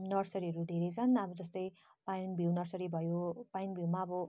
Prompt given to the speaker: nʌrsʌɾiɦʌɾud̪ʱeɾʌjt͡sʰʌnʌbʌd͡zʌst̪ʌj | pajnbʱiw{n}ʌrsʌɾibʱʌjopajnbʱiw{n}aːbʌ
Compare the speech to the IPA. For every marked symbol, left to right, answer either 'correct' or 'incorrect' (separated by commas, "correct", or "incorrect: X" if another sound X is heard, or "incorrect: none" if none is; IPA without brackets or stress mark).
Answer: correct, incorrect: m